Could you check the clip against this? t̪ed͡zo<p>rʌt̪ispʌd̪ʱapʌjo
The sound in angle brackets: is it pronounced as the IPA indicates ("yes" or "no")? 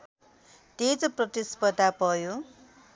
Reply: yes